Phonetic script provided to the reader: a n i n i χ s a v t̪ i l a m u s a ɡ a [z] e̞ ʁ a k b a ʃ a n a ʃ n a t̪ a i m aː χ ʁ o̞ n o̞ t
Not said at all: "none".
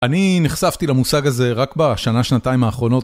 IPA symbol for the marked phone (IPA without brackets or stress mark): z